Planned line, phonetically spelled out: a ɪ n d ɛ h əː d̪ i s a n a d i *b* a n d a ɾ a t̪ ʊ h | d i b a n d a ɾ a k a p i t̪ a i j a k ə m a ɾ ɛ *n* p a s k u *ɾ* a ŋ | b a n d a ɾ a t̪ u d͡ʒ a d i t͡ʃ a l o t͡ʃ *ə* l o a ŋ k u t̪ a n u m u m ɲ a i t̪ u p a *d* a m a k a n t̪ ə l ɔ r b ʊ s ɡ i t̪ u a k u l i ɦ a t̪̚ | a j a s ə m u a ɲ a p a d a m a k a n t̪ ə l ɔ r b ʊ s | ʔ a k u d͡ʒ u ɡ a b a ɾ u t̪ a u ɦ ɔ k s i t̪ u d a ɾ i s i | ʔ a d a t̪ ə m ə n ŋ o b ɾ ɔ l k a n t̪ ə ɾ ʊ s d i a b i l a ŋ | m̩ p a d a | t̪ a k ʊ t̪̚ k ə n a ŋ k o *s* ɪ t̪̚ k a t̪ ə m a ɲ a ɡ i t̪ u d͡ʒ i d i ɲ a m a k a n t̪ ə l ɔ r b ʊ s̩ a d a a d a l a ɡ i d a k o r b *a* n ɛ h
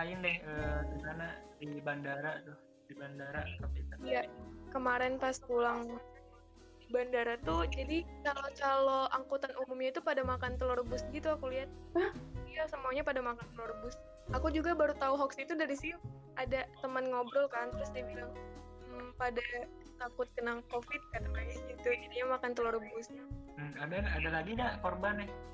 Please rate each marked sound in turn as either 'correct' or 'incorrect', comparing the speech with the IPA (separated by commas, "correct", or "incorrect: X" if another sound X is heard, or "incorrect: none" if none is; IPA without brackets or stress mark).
correct, correct, incorrect: l, incorrect: a, correct, incorrect: f, correct